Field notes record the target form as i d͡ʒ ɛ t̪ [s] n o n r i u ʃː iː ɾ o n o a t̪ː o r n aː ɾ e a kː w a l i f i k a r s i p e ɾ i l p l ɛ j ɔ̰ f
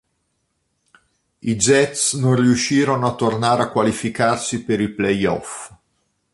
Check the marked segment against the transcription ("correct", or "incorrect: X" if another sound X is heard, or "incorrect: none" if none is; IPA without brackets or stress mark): correct